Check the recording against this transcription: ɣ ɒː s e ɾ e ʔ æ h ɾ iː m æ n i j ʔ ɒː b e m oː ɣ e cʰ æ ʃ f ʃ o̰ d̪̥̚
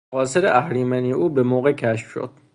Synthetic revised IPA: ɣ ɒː s e ɾ e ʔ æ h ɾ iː m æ n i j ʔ uː b e m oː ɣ e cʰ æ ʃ f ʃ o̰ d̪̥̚